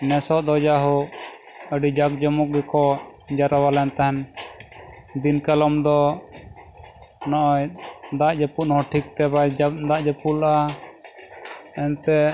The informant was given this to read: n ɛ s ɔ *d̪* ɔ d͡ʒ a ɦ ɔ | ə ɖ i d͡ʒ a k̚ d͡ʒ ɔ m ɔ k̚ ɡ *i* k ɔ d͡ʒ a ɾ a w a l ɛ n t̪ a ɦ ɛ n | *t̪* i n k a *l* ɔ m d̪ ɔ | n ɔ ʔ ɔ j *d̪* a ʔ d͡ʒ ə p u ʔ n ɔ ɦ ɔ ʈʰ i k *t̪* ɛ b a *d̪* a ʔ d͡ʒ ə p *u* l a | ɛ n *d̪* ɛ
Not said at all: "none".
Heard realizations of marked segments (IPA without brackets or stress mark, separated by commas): d̪, ɛ, d̪, l, d̪, t̪, d̪, u, t̪